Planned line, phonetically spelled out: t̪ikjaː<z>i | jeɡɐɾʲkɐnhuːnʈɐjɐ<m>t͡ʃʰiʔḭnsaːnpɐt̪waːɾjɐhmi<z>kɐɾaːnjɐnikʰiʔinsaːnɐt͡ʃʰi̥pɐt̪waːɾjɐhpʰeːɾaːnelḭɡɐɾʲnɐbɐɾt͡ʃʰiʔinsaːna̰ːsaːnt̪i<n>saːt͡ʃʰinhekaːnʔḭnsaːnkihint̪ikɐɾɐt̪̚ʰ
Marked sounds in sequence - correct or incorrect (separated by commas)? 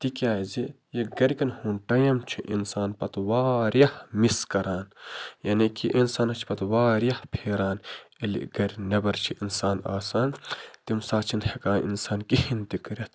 correct, correct, incorrect, incorrect